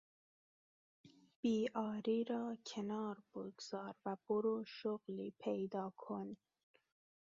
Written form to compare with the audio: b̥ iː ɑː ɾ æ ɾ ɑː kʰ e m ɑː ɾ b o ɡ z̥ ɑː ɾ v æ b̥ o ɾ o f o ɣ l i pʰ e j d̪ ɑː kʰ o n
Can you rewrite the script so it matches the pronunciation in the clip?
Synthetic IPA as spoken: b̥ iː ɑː ɾ i ɾ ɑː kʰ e n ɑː ɾ b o ɡ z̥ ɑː ɾ v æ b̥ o ɾ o ʃ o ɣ l i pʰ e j d̪ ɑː kʰ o n